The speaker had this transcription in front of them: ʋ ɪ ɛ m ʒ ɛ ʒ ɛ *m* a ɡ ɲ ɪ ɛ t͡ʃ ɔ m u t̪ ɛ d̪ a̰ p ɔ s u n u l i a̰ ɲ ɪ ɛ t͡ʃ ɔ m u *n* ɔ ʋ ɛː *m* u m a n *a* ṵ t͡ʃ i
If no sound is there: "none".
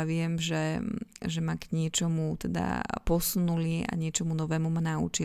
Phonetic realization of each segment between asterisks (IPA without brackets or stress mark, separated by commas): m, n, m, a